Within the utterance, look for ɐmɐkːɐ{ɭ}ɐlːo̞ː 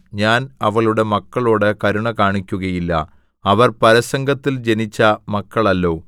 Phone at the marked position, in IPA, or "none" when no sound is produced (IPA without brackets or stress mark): ɭ